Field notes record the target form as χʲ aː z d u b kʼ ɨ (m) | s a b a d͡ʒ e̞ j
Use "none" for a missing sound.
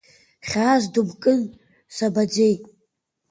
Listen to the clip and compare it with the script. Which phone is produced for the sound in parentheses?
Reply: n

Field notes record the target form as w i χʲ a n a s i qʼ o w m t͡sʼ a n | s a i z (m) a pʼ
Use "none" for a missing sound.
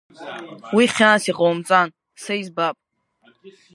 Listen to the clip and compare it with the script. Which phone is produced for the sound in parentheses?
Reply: b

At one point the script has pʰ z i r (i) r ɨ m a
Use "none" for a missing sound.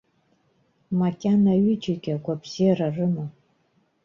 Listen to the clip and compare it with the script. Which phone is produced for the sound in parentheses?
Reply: a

